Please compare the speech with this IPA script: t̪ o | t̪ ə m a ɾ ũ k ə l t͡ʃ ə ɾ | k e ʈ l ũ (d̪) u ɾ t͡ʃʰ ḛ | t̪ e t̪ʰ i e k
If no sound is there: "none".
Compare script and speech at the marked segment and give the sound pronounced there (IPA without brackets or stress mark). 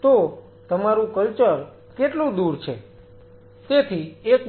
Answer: d̪